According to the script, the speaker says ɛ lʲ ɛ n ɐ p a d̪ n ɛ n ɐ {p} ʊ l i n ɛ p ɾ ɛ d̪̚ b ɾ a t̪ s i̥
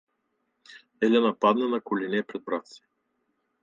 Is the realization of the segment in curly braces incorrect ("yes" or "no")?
yes